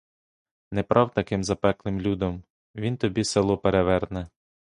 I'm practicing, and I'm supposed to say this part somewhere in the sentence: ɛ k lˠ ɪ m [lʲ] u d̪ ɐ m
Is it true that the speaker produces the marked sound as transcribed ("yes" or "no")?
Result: yes